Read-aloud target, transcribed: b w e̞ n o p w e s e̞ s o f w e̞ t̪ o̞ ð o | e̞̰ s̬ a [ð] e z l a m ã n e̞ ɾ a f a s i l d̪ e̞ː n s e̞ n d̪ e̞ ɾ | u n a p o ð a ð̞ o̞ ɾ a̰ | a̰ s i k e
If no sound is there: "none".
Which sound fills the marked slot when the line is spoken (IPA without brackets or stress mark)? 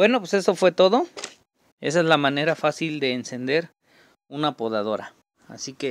none